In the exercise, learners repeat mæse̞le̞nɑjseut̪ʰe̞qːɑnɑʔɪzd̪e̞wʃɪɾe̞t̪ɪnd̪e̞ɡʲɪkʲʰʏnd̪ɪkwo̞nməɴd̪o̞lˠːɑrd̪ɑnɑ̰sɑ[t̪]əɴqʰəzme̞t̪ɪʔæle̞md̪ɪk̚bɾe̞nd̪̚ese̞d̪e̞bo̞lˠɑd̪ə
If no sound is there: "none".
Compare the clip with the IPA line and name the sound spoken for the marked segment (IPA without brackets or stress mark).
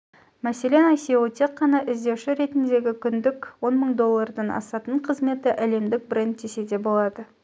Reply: t̪